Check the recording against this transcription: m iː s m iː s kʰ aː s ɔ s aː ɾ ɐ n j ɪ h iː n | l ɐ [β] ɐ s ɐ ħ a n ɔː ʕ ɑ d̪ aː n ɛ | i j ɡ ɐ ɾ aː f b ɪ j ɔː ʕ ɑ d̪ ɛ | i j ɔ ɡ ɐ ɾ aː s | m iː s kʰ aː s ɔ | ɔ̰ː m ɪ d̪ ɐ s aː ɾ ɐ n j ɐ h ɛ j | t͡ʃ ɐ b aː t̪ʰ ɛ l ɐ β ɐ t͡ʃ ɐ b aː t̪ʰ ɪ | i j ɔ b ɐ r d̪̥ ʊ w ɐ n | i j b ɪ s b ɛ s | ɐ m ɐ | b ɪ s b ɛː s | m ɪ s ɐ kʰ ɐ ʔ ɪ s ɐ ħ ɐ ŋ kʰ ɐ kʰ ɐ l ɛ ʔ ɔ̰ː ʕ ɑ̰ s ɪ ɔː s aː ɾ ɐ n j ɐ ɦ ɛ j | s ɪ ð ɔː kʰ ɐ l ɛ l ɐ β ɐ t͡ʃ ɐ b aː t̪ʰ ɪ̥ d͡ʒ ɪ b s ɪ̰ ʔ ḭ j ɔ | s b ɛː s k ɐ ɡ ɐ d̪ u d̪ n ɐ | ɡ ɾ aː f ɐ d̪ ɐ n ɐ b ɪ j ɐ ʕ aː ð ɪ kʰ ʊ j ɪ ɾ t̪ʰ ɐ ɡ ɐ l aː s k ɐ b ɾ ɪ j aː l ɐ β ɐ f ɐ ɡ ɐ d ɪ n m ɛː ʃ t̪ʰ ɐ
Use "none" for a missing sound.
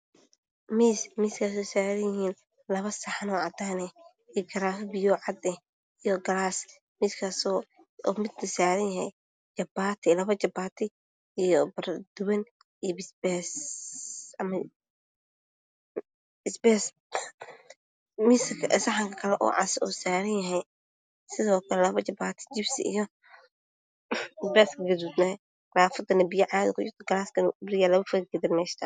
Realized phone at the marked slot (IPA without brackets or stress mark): β